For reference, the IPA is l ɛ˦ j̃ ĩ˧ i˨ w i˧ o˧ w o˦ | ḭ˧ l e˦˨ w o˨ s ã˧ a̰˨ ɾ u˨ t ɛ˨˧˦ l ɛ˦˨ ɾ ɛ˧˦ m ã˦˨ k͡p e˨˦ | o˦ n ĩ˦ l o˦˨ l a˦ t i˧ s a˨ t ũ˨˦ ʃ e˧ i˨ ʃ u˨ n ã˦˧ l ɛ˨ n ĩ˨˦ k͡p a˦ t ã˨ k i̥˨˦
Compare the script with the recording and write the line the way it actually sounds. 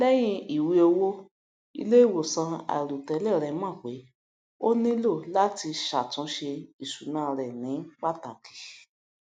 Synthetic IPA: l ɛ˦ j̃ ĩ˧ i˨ w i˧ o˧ w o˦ | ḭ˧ l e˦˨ w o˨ s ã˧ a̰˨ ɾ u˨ t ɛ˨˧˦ l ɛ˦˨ ɾ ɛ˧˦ m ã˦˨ k͡p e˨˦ | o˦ n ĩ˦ l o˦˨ l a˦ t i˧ ʃ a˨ t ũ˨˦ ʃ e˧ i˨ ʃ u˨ n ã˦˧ ɾ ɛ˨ n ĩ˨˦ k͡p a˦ t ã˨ k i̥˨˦